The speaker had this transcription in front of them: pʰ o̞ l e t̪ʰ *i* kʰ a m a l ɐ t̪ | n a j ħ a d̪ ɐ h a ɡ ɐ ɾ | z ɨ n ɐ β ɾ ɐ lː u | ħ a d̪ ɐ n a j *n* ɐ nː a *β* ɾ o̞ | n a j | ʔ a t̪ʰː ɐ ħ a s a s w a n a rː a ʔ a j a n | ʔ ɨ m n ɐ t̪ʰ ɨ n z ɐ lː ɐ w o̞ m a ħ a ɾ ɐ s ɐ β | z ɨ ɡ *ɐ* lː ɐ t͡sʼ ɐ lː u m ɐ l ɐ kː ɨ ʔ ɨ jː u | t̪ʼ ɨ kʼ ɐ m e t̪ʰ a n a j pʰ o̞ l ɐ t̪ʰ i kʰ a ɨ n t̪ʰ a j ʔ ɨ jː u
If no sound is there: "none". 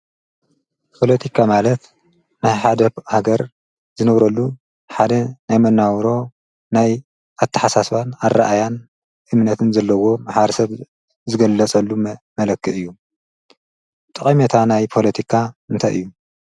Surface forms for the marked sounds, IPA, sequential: i, m, w, ɐ

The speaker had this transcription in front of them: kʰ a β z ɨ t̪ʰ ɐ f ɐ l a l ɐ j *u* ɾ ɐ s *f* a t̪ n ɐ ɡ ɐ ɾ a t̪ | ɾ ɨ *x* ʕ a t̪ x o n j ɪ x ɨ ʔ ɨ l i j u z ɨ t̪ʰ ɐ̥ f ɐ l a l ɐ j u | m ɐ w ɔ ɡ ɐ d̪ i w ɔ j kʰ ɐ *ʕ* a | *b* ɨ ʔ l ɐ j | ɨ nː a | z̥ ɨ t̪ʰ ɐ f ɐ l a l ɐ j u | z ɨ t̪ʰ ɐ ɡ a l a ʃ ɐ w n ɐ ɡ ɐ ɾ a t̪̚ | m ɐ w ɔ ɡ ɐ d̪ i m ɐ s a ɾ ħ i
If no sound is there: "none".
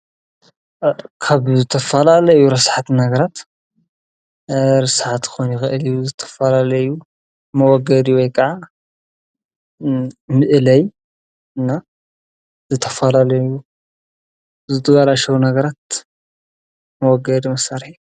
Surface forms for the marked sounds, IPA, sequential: u, ħ, s, ʕ, m

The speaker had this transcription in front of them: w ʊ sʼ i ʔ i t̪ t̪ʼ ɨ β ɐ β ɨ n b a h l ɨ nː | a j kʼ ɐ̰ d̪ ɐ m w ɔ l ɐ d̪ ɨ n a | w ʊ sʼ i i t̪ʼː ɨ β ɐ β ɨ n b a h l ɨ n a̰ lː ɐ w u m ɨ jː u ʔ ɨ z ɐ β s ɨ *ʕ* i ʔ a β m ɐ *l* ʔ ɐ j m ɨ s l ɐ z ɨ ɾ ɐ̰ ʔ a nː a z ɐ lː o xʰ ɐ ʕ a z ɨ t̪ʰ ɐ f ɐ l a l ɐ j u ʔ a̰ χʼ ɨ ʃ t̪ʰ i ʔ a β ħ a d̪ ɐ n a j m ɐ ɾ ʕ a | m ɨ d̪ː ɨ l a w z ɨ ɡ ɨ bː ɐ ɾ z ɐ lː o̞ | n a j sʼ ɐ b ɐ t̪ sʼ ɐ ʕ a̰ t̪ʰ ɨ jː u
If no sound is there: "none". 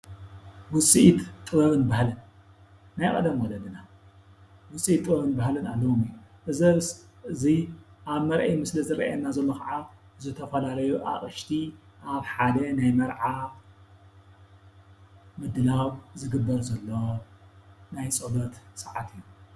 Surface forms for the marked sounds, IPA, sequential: z, ɾ

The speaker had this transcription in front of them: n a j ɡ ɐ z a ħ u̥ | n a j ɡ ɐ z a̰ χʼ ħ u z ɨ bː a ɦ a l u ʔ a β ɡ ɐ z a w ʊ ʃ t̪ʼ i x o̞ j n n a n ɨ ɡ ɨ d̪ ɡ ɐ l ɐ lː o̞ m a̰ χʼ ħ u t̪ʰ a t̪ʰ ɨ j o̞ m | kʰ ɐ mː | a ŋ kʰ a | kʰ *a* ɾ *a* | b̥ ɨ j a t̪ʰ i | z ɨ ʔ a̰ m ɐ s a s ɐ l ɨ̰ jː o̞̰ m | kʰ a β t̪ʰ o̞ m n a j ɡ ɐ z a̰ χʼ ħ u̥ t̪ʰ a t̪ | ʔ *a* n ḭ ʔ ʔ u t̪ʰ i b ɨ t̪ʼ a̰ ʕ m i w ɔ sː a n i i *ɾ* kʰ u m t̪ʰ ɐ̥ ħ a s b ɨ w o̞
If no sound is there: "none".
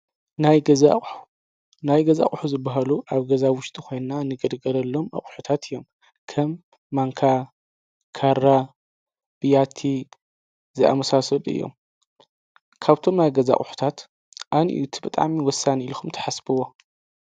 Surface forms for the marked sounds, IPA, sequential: a, a, a, l

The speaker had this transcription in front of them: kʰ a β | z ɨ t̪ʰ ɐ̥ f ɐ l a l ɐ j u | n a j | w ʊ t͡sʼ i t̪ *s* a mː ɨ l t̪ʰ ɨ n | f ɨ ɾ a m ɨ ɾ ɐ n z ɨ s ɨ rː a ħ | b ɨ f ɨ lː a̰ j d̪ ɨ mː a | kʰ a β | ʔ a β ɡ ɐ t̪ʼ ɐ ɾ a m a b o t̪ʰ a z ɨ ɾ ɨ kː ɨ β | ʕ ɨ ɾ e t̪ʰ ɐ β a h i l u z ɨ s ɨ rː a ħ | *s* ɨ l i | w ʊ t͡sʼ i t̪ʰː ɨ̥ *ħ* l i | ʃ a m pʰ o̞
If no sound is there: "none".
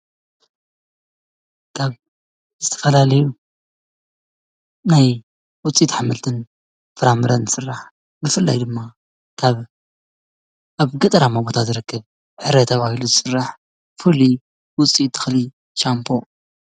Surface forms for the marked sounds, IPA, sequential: ħ, f, x

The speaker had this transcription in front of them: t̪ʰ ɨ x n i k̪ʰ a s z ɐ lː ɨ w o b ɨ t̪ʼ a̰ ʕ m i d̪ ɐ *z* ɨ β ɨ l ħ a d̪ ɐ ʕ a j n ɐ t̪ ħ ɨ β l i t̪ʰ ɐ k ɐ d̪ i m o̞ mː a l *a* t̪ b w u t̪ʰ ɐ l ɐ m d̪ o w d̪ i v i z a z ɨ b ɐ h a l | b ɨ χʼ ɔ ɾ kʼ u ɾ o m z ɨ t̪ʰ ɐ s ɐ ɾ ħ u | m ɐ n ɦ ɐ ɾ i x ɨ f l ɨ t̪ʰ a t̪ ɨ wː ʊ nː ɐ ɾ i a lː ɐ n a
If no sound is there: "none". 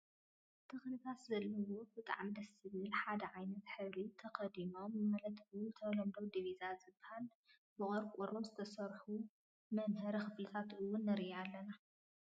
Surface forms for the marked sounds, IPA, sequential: s, ɐ

